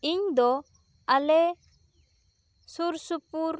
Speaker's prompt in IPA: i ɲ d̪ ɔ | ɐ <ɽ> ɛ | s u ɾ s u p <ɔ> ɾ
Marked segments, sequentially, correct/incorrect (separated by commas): incorrect, incorrect